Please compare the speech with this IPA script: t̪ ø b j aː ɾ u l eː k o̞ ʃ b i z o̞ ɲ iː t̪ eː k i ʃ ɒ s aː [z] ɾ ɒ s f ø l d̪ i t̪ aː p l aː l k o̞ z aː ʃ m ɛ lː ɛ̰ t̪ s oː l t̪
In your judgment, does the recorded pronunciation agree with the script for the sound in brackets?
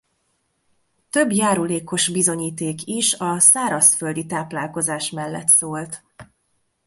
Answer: no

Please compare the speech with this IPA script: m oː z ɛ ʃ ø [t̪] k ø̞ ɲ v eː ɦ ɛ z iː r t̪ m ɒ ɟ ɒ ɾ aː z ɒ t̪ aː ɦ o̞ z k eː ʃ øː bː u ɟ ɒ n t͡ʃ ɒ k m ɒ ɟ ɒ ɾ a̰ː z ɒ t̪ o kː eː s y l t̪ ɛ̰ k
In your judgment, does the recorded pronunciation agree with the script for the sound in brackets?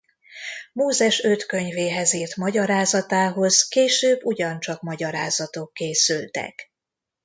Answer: yes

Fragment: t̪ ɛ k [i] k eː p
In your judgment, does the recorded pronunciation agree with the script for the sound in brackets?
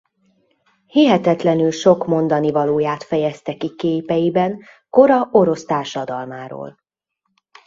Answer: yes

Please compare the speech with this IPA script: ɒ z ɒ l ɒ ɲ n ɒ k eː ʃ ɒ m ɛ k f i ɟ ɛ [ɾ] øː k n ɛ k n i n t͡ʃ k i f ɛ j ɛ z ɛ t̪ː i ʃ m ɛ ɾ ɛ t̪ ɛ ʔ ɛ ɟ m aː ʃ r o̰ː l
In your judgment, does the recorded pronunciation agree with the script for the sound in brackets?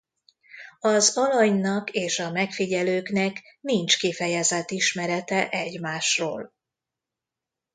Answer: no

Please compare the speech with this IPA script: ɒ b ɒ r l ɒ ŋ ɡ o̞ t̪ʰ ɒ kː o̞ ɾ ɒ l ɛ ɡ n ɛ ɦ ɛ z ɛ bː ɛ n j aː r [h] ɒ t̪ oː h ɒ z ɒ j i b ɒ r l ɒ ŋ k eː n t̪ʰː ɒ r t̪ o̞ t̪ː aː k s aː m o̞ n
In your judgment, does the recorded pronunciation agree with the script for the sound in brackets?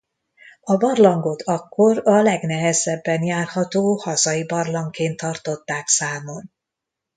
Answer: yes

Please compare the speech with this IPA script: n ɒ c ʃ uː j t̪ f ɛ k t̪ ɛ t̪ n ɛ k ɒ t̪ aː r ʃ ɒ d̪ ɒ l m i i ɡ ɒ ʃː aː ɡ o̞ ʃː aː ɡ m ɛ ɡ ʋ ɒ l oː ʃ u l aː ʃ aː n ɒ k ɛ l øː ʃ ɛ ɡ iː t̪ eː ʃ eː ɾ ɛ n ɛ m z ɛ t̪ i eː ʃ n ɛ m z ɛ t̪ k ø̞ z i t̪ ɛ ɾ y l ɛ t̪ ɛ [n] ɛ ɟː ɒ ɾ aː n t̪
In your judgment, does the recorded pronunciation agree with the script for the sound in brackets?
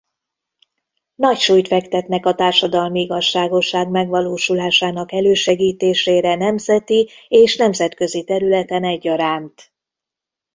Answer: yes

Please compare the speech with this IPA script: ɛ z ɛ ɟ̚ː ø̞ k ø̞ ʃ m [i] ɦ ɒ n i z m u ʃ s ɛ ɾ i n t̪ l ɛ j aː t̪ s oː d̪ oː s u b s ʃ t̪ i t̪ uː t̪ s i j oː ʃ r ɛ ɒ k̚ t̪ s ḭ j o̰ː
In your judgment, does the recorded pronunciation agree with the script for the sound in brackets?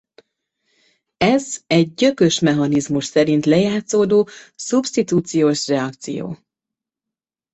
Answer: no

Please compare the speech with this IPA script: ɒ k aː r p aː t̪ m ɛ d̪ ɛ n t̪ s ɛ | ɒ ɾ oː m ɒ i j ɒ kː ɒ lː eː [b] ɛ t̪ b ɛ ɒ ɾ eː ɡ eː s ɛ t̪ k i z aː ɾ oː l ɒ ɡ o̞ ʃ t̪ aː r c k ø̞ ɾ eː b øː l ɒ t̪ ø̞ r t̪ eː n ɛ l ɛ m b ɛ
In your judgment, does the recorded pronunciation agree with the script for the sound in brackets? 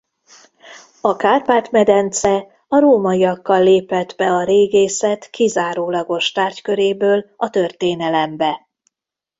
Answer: no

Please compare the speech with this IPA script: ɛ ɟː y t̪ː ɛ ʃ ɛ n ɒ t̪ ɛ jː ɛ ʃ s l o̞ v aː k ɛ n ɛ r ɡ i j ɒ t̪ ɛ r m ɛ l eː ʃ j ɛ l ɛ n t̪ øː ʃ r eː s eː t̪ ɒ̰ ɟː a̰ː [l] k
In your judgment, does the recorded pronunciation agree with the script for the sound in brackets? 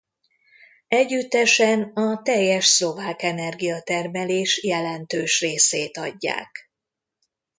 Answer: no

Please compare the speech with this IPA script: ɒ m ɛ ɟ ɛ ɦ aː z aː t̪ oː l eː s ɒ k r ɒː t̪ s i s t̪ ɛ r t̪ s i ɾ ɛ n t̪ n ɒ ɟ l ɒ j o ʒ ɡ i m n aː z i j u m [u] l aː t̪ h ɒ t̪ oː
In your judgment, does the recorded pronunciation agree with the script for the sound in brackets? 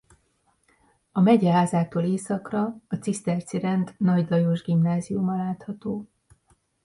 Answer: no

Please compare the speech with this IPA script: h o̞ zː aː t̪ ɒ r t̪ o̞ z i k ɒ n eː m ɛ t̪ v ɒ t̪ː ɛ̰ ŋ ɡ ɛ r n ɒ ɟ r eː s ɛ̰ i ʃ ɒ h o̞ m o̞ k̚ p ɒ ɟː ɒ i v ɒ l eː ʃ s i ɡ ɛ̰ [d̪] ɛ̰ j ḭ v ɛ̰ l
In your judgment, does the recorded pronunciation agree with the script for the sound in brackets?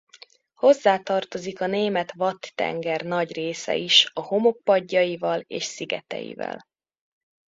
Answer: no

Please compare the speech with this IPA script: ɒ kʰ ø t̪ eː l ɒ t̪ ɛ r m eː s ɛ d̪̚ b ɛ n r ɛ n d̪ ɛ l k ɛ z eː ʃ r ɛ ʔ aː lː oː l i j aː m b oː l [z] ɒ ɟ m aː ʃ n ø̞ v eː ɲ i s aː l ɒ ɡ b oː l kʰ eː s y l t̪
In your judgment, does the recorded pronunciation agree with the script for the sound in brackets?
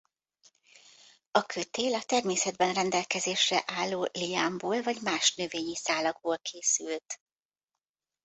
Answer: no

